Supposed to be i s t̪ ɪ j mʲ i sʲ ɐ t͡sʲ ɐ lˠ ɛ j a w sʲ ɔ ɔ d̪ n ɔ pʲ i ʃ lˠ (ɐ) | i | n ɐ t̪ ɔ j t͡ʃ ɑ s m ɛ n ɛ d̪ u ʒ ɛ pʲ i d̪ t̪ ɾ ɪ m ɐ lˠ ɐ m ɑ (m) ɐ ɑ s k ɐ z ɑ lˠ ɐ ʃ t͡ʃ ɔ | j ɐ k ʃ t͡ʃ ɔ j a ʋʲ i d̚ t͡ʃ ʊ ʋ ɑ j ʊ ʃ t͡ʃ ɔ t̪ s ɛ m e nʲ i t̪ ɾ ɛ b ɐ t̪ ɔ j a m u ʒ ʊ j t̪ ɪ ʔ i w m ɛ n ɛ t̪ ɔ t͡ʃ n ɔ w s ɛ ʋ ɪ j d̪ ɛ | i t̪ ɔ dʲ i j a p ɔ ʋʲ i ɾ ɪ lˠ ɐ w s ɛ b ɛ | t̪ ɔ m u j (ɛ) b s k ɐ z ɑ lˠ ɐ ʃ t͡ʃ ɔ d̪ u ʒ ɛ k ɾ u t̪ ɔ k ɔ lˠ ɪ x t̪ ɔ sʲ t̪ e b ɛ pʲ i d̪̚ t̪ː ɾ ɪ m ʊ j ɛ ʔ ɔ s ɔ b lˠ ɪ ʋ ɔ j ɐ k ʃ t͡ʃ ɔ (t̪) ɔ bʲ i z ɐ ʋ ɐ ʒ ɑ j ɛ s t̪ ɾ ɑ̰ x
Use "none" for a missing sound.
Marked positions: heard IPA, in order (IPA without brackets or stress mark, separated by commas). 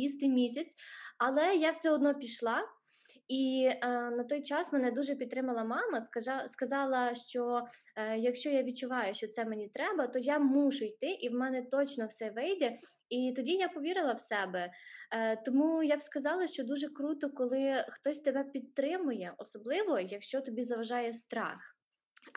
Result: ɑ, m, a, t̪